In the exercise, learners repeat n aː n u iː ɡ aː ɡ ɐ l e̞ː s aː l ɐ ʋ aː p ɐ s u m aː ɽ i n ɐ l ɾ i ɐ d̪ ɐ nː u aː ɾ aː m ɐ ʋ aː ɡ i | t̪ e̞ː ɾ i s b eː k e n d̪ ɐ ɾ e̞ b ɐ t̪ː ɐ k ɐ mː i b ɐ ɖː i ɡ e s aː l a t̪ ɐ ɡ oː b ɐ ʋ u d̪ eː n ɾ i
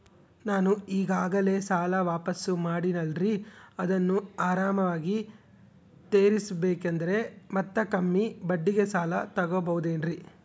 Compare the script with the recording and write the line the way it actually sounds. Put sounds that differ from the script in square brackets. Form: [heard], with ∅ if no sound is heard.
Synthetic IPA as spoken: n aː n u iː ɡ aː ɡ ɐ l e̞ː s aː l ɐ ʋ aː p ɐ s u m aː ɽ i n ɐ l ɾ i ɐ d̪ ɐ nː u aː ɾ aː m ɐ ʋ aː ɡ i | t̪ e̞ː ɾ i s b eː k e n d̪ ɐ ɾ e̞ [m] ɐ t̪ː ɐ k ɐ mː i b ɐ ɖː i ɡ e s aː l [ɐ] t̪ ɐ ɡ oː b ɐ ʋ u d̪ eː n ɾ i